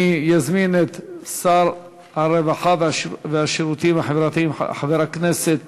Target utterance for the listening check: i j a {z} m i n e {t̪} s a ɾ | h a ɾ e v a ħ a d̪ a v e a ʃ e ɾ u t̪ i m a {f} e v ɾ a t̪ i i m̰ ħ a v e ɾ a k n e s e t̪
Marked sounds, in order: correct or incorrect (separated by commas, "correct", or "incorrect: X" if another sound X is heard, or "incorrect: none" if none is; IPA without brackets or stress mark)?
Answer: correct, correct, incorrect: ħ